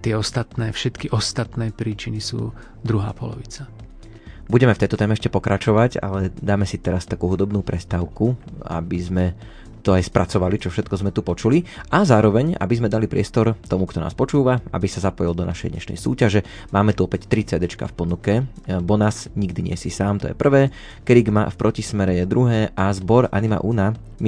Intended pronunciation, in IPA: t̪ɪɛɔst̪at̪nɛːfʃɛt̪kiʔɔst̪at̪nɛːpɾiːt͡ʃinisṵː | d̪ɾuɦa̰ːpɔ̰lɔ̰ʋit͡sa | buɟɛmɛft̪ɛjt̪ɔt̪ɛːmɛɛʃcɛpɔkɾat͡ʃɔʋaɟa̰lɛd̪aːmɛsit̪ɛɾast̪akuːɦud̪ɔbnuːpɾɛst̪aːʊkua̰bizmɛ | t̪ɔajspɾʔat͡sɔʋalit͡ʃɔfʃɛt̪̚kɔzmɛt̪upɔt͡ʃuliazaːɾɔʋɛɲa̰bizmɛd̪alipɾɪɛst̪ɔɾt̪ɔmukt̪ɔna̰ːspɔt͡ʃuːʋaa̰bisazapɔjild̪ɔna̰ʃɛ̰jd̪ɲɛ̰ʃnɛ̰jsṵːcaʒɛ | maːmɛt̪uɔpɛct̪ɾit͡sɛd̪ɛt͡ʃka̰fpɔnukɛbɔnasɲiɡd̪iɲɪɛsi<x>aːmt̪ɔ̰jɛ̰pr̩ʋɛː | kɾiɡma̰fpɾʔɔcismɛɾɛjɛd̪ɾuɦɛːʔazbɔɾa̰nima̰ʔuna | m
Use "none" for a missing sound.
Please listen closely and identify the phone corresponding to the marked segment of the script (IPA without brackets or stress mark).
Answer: s